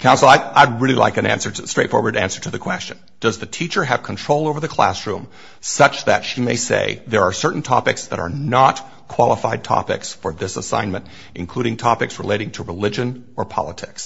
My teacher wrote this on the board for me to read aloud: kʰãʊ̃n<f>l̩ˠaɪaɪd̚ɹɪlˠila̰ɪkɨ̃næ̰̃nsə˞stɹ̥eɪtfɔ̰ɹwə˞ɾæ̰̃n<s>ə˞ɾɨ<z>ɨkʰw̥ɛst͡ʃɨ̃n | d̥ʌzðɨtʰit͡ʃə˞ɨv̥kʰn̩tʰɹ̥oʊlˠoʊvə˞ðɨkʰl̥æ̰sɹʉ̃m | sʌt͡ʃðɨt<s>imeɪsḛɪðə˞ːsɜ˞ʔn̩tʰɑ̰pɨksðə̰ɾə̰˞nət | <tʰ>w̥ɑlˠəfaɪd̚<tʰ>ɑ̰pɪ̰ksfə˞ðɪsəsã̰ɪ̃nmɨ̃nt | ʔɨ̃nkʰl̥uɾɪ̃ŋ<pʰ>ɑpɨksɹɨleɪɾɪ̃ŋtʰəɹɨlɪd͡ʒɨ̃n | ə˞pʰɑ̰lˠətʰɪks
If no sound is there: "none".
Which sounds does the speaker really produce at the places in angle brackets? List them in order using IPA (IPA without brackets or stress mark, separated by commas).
s, s, ð, ʃ, kʰ, tʰ, tʰ